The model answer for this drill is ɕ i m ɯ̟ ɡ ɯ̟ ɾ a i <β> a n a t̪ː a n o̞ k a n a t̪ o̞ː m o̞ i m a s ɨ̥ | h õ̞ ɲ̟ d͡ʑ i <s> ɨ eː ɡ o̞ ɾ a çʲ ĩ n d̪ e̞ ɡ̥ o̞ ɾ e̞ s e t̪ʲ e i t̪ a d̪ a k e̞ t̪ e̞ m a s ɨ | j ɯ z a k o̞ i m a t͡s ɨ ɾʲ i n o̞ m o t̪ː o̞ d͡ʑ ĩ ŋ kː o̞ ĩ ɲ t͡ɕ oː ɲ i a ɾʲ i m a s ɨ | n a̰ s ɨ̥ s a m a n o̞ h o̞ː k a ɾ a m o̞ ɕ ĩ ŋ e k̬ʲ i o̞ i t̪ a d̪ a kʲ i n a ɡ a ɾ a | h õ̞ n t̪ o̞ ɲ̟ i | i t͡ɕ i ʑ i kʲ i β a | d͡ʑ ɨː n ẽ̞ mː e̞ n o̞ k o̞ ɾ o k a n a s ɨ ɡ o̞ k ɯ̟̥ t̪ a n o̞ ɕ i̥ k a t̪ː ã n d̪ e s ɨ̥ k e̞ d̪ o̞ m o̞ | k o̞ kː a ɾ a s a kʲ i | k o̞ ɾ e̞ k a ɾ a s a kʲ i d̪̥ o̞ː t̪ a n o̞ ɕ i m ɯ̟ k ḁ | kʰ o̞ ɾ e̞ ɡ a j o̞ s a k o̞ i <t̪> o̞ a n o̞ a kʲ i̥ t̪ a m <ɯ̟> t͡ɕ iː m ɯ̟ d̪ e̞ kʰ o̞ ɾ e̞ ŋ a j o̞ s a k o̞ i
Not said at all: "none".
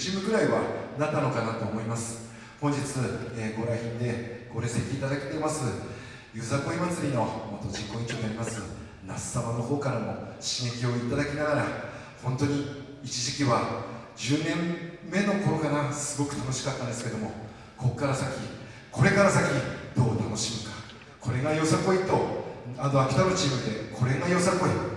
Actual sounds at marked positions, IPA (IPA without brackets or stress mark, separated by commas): β, t͡s, t̪, ɯ̟